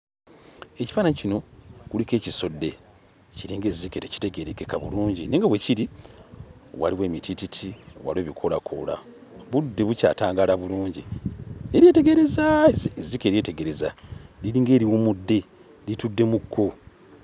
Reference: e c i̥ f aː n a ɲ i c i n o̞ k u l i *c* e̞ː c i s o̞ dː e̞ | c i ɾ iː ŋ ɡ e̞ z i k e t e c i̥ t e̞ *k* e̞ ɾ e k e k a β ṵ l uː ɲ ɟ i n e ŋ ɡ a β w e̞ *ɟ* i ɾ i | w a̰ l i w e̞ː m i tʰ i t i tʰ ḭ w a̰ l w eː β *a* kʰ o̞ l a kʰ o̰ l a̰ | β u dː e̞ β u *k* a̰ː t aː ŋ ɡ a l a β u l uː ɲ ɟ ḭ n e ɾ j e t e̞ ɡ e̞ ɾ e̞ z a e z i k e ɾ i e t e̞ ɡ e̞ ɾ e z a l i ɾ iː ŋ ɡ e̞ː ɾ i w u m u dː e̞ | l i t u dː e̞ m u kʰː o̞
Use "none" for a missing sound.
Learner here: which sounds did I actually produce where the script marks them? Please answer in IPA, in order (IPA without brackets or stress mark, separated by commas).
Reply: k, ɡ, c, i, c